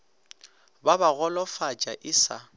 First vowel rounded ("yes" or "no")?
no